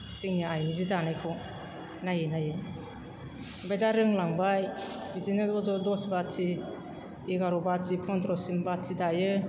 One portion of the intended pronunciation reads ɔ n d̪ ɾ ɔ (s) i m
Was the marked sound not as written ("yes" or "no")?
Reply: no